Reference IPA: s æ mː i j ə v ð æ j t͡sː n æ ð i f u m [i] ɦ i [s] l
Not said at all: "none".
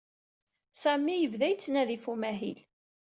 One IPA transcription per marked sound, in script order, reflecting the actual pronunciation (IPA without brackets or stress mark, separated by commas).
æ, none